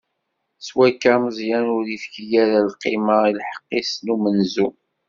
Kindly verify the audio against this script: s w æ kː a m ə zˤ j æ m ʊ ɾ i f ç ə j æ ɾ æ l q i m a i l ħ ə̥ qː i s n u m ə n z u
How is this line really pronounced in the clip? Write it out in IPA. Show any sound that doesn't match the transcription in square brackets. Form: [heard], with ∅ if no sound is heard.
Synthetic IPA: s w æ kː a m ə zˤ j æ [n] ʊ ɾ i f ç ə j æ ɾ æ l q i m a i l ħ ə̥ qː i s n u m ə n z u